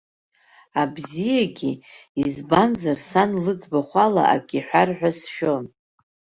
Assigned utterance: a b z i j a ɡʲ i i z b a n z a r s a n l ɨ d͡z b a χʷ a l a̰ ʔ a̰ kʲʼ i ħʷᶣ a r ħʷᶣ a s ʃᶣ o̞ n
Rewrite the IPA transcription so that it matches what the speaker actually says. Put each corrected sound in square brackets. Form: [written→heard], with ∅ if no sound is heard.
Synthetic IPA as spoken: a b z i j a ɡʲ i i z b a n z a r s a n l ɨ d͡z b a χʷ a l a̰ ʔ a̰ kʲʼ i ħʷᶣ a r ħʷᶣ a s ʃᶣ o̞ n

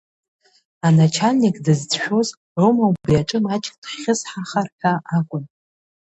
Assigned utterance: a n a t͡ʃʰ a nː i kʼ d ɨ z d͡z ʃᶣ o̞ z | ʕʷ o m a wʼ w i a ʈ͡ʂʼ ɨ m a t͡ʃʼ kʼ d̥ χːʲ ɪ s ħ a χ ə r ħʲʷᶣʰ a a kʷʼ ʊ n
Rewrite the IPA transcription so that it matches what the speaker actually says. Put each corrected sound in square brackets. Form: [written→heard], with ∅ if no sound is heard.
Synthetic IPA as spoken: a n a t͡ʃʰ a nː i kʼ d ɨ z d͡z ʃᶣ o̞ z | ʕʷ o m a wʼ [w→b] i a ʈ͡ʂʼ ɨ m a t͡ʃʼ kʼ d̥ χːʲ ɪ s ħ a χ [ə→a] r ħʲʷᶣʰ a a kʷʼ ʊ n

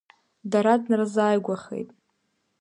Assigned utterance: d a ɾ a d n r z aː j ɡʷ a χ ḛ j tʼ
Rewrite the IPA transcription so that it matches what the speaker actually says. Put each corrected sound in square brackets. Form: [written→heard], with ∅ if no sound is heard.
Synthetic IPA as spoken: d a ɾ a d n r z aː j ɡʷ a χ ḛ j tʼ

